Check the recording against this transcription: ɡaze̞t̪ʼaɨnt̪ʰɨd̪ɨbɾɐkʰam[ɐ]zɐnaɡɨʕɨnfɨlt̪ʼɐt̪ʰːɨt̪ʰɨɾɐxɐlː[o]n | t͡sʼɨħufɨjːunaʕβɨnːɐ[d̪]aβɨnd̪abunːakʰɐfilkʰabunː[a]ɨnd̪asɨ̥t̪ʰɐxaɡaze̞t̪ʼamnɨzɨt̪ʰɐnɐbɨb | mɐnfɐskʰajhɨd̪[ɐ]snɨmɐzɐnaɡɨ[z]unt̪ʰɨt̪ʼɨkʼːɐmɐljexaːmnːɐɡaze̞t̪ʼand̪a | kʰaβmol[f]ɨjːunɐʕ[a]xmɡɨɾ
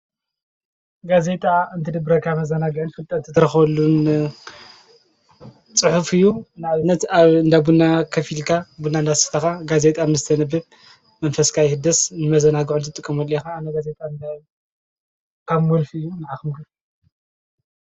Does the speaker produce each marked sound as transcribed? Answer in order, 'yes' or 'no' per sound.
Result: yes, no, no, yes, yes, no, yes, yes

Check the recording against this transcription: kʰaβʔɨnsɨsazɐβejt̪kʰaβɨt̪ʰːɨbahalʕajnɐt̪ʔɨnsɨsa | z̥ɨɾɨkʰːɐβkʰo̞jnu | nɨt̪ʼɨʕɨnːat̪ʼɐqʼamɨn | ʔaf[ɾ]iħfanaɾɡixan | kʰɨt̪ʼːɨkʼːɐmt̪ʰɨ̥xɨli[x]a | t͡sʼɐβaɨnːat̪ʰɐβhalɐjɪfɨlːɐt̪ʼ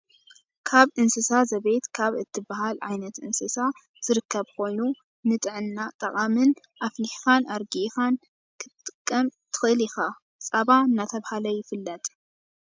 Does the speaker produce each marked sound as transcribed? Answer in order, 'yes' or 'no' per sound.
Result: no, yes

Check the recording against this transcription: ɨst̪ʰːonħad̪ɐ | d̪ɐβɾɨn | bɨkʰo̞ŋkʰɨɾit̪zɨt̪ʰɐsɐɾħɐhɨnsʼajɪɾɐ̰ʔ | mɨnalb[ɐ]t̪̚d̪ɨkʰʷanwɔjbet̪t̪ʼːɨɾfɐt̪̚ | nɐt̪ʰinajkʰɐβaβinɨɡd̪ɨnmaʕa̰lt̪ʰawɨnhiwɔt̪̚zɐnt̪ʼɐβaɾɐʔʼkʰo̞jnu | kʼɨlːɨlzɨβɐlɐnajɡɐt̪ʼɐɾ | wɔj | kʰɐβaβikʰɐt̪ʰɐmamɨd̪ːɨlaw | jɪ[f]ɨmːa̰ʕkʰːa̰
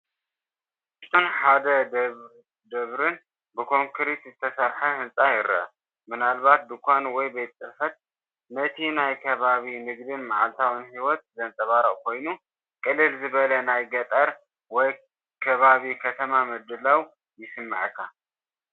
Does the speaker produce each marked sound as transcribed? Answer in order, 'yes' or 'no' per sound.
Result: no, no

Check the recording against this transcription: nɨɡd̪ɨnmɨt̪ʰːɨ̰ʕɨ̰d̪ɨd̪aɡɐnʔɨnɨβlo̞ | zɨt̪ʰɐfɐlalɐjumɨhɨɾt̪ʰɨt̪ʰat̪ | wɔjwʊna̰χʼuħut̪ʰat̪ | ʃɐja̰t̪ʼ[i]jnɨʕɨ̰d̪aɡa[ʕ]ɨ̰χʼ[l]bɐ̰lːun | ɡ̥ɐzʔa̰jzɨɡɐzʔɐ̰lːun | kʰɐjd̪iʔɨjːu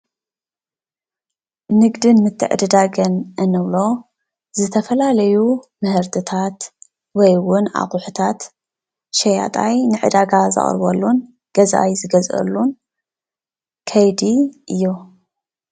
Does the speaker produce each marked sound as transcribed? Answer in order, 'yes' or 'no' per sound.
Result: no, no, no

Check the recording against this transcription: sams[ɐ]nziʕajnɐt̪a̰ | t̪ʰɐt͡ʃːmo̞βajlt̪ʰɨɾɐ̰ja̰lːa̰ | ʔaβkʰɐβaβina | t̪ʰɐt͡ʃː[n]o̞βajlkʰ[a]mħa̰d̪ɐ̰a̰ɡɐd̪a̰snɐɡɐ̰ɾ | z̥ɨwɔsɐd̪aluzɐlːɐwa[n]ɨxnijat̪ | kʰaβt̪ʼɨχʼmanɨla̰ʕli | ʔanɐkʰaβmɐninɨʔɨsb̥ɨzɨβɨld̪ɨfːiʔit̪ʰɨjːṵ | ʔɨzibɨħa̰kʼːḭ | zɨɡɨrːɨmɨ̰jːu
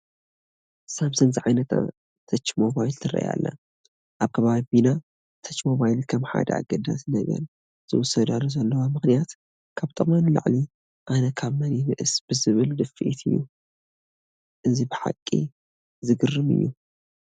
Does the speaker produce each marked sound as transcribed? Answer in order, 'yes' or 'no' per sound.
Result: yes, no, no, no

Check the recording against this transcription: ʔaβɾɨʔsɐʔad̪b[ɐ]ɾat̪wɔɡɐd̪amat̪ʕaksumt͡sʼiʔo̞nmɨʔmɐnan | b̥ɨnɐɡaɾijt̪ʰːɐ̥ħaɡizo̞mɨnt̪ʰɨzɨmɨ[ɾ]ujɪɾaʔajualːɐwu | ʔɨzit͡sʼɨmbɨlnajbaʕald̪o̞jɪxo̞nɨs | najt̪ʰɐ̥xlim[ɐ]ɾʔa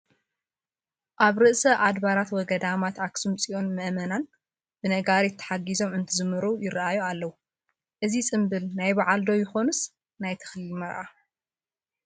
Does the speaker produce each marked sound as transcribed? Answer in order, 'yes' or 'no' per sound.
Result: no, yes, yes

